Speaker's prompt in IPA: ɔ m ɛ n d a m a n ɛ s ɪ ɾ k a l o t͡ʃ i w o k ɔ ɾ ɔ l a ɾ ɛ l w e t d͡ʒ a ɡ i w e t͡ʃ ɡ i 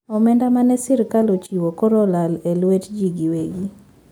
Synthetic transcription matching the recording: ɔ m ɛ n d a m a n ɛ s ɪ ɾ k a l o t͡ʃ i w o k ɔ ɾ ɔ l a l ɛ l w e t d͡ʒ i ɡ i w e ɡ i